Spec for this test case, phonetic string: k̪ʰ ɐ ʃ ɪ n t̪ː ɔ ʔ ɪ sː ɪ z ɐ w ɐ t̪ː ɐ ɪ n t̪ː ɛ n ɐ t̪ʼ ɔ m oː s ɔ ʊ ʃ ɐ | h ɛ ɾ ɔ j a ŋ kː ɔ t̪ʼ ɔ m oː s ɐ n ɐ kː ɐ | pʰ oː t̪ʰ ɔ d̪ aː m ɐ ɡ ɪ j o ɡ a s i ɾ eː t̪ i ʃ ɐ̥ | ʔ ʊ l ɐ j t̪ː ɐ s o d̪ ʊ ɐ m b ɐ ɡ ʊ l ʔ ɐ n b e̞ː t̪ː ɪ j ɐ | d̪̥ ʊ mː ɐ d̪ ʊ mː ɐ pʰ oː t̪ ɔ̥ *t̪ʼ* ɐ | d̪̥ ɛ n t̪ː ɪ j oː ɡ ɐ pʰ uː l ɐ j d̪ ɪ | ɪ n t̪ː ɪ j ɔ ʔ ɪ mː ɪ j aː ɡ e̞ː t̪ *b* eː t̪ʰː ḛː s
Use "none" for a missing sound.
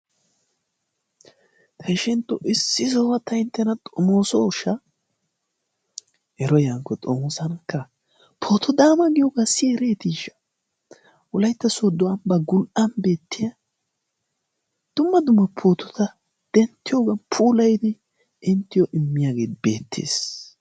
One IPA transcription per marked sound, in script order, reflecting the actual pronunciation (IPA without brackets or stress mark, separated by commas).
t̪, b